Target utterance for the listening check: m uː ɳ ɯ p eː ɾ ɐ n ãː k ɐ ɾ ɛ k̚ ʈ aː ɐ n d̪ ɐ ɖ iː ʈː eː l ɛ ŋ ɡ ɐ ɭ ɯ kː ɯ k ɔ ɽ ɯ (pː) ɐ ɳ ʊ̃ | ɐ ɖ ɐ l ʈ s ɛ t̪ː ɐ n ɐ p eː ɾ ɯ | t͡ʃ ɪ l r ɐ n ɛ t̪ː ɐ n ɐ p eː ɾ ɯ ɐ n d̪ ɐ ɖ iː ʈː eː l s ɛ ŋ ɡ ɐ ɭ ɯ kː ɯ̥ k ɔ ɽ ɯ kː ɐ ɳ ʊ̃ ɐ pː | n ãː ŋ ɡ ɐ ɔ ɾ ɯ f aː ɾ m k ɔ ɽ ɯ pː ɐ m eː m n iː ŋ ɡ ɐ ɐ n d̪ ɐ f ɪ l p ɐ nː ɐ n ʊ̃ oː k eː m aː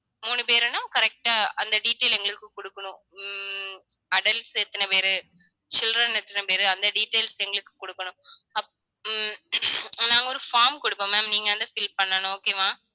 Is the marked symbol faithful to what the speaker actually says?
no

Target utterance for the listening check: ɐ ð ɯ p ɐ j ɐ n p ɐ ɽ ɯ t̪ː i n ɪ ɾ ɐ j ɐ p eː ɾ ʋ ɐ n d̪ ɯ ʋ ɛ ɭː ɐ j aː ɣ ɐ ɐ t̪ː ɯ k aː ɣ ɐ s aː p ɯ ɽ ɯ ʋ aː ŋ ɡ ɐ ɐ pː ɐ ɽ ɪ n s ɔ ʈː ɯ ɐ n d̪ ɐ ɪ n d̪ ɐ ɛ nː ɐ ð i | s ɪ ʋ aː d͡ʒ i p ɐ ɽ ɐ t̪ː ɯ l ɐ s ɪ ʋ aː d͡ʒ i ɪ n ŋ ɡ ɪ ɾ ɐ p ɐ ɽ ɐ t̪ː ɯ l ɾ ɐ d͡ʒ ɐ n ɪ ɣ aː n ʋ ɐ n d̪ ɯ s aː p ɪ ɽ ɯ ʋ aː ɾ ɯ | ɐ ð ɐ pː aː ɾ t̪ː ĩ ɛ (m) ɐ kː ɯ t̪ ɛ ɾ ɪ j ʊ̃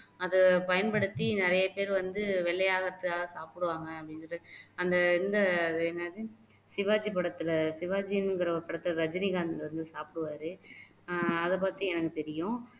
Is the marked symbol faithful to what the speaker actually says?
no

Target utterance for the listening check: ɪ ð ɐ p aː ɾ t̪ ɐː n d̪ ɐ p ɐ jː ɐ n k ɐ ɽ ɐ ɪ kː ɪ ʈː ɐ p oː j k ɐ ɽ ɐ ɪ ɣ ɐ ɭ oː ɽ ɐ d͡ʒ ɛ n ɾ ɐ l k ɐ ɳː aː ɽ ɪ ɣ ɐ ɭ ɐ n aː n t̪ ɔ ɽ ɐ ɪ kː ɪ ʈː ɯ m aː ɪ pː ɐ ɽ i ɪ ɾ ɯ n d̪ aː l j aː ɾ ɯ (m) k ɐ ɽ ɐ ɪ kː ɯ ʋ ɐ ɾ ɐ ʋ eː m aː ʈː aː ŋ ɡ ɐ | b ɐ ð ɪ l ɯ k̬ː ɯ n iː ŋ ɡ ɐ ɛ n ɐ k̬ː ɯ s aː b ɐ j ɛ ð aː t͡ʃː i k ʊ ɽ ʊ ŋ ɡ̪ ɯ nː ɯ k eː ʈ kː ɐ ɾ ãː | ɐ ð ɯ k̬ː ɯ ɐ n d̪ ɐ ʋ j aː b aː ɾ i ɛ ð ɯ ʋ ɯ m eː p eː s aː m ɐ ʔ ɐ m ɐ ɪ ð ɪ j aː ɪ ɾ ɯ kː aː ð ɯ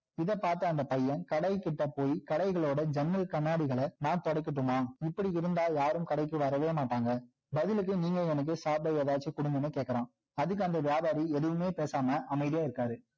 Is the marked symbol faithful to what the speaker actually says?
yes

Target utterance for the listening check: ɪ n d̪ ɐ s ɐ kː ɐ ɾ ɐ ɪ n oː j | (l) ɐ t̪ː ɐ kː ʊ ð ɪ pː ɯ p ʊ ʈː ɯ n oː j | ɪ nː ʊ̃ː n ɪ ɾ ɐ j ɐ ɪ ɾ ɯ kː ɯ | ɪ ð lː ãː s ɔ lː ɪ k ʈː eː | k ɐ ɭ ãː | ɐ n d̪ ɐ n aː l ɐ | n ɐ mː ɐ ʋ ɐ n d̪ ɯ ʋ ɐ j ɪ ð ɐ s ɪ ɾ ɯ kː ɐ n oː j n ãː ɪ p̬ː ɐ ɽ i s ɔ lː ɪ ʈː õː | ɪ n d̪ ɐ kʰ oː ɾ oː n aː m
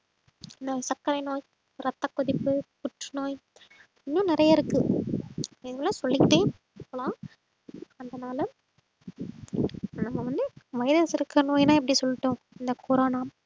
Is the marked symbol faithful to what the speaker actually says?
no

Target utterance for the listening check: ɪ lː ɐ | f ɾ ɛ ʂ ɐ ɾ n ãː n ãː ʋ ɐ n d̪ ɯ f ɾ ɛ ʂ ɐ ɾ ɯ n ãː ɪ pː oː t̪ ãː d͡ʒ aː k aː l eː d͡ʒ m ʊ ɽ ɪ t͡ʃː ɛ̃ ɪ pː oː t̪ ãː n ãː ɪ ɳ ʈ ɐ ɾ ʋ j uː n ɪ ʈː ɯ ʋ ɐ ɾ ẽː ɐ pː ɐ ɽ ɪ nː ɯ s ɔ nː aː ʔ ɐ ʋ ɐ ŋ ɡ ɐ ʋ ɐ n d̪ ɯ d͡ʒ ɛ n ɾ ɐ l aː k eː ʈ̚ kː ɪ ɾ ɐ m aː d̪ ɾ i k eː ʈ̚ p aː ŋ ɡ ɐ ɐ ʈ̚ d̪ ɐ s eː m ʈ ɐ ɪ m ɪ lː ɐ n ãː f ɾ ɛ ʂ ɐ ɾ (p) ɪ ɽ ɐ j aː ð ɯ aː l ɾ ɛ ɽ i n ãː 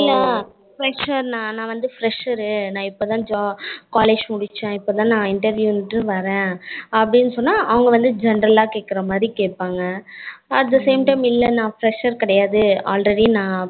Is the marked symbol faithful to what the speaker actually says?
no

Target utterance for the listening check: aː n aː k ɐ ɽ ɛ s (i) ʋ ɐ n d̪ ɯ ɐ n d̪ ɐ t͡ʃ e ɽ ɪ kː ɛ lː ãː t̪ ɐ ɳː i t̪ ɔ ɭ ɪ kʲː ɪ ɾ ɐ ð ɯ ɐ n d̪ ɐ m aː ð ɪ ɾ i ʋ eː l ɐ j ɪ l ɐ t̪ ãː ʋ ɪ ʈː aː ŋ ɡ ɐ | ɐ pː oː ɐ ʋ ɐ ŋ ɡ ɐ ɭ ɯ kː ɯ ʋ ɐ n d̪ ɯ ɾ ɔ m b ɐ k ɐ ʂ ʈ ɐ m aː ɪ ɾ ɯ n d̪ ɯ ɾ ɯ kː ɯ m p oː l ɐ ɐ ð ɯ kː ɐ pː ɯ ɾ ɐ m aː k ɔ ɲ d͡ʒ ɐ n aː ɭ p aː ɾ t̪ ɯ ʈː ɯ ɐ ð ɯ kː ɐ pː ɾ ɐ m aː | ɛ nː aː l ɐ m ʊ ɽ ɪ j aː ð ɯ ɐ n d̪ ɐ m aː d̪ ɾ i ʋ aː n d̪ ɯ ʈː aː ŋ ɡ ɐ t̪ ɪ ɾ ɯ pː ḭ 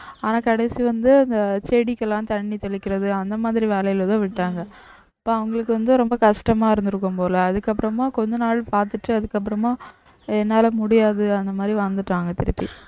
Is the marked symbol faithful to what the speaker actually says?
yes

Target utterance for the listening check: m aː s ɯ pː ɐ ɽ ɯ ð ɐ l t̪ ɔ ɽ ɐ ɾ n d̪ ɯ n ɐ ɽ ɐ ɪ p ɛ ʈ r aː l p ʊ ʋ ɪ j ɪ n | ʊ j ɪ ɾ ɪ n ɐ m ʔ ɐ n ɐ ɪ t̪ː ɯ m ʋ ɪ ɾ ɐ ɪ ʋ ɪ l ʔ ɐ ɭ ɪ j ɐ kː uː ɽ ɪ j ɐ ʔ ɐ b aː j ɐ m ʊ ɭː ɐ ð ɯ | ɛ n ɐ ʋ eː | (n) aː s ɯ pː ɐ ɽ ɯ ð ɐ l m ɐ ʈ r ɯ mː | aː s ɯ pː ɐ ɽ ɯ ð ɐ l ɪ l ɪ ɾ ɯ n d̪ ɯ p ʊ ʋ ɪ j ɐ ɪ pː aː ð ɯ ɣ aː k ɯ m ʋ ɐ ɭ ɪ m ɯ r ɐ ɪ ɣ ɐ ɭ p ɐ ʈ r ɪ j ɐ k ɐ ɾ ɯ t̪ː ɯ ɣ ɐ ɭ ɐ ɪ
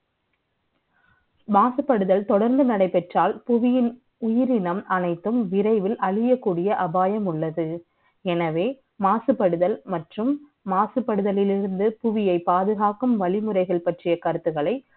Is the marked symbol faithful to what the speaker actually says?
no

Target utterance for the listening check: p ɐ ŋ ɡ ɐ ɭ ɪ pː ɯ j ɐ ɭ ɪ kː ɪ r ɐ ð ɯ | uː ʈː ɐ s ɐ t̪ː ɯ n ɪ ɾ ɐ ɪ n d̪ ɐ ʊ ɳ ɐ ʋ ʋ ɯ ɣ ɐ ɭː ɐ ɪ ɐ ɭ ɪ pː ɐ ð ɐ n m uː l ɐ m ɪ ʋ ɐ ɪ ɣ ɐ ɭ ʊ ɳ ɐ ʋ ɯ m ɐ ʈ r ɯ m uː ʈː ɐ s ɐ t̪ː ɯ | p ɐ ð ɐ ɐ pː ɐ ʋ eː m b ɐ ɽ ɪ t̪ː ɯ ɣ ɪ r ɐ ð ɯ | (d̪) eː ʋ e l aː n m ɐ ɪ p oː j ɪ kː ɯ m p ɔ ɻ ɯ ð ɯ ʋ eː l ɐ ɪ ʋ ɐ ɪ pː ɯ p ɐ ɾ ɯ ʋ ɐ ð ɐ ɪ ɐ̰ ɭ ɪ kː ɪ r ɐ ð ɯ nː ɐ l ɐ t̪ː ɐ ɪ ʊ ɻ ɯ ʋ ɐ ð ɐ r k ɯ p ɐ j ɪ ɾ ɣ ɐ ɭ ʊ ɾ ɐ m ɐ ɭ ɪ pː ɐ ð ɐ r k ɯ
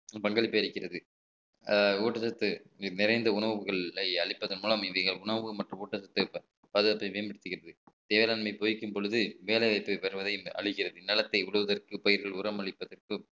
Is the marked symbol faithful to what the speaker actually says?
no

